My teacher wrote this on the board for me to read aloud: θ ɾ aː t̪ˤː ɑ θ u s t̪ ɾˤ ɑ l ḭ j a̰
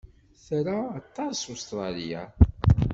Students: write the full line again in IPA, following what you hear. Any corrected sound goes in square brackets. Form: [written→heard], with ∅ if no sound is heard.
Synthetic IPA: θ ɾ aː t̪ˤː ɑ [θ→s] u s t̪ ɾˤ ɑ l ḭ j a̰